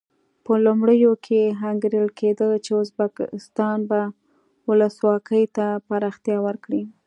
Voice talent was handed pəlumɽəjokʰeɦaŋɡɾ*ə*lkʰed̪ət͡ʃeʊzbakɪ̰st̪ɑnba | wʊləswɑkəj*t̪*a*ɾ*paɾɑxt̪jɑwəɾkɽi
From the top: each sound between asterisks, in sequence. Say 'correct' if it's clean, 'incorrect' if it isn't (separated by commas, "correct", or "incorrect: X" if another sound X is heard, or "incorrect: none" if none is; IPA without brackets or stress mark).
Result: correct, correct, incorrect: none